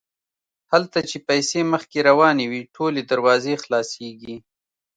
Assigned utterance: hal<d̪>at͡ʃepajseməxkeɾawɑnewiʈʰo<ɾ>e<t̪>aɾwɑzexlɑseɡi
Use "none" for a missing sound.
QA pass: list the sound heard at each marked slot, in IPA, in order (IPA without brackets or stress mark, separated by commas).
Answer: t̪, l, d̪